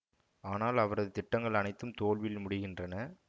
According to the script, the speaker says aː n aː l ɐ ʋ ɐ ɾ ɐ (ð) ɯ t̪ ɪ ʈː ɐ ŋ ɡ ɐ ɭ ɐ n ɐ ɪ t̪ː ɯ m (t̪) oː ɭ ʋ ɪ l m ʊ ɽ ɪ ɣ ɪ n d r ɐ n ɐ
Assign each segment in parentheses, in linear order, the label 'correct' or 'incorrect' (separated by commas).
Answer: correct, correct